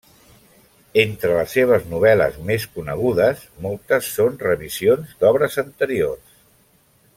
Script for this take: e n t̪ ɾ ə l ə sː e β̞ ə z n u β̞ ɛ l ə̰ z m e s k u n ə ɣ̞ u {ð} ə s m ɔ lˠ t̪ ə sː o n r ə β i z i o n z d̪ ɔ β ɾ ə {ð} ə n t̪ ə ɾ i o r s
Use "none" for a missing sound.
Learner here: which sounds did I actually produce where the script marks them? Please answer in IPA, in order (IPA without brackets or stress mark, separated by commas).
ð, z